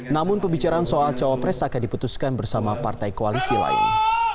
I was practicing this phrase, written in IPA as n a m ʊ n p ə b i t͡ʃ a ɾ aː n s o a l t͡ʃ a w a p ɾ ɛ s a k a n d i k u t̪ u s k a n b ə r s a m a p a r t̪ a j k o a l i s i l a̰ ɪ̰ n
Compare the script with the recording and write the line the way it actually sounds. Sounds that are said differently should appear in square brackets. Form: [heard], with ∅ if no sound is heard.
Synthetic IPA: n a m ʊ n p ə b i t͡ʃ a ɾ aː n s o a l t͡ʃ a w a p ɾ ɛ s a k a n d i [p] u t̪ u s k a n b ə r s a m a p a r t̪ a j k o a l i s i l a̰ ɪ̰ n